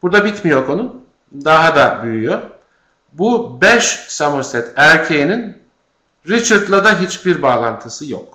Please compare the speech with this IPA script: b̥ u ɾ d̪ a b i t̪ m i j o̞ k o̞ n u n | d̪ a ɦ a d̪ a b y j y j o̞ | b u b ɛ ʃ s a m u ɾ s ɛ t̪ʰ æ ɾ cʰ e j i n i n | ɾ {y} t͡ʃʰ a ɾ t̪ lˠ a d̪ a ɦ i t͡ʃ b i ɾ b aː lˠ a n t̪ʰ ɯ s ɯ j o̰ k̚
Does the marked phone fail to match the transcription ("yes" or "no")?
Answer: yes